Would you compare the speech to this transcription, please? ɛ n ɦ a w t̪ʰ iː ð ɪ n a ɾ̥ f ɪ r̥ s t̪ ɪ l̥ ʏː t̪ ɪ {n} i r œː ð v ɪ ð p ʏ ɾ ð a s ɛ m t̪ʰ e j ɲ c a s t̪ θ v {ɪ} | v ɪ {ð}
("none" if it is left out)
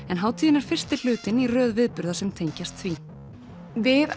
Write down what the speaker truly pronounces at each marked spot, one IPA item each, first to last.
n, i, ð

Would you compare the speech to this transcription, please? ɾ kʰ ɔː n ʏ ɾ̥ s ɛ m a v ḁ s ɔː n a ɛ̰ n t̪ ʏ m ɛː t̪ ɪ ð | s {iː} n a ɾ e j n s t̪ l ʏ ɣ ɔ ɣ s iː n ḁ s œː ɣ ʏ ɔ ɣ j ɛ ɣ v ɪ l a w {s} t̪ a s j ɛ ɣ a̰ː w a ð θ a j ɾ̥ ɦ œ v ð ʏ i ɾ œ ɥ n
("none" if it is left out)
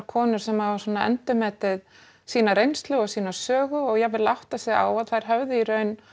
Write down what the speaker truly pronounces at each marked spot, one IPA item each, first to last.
iː, h

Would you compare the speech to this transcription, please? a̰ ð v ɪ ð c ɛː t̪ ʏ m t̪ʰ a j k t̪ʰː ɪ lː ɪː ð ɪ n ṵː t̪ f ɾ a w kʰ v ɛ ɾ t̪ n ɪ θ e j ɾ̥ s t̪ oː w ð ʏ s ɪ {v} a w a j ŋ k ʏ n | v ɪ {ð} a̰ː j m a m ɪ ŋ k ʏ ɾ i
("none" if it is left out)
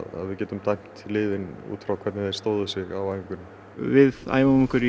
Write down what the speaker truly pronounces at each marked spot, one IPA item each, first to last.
ɣ, ð

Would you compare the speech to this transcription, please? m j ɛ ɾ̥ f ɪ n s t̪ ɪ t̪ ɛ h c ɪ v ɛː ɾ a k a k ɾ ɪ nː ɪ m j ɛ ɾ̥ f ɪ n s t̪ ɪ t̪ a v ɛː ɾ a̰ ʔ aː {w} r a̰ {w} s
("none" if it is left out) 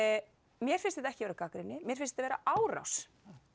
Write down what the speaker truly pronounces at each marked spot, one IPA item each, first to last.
w, w

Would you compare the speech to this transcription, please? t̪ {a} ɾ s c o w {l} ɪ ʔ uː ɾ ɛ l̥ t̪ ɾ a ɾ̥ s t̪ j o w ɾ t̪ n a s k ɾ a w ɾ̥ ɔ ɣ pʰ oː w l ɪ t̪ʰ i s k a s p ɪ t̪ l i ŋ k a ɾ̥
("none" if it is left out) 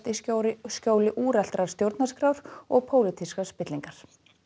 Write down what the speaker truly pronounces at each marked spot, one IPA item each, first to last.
i, l

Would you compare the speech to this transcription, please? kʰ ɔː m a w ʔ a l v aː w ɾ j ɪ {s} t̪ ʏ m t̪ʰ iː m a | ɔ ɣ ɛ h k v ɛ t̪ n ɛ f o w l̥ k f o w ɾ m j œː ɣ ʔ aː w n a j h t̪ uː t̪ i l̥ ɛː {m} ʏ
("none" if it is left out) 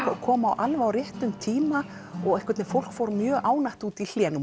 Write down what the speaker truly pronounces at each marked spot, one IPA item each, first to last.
h, n

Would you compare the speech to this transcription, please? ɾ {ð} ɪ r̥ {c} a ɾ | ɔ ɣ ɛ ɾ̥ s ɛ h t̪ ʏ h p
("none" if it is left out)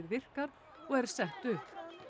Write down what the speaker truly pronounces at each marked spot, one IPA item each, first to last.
v, k

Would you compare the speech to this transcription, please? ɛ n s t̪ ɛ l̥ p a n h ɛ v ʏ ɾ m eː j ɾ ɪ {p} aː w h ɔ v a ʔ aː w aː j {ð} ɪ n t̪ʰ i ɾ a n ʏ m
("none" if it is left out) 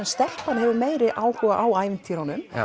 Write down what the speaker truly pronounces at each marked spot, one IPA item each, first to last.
ʔ, v

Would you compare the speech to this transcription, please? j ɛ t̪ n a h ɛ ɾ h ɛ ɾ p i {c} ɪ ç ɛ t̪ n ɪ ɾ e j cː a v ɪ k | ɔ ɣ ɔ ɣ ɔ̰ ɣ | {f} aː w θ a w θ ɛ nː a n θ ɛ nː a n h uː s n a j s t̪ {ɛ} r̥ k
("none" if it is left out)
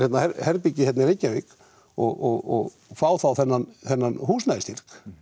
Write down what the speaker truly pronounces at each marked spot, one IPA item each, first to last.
c, f, i

